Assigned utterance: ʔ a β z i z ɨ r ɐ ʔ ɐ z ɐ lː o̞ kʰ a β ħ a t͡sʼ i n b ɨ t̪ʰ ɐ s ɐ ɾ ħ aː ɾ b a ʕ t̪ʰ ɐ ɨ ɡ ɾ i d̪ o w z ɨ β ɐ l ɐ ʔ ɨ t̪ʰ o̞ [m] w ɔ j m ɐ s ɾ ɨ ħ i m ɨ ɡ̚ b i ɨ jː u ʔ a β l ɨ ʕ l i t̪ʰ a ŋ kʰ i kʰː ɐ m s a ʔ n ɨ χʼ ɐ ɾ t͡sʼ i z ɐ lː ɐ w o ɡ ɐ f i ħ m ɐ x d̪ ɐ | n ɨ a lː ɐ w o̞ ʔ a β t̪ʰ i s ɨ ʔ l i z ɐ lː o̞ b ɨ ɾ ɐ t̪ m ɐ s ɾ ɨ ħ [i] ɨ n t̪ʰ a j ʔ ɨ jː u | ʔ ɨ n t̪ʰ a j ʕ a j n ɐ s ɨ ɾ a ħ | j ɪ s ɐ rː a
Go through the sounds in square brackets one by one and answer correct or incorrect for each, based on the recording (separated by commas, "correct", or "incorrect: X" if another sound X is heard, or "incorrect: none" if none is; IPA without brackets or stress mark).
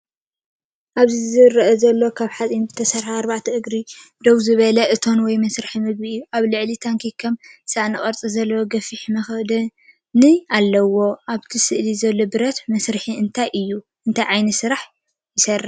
incorrect: n, correct